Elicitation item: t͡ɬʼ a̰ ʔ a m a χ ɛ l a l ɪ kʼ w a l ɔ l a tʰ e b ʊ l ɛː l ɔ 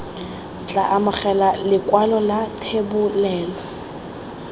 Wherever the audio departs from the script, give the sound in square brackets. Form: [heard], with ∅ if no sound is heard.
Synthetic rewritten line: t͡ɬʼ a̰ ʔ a m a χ ɛ l a l ɪ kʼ w a l ɔ l a tʰ e b ʊ l ɛː l ɔ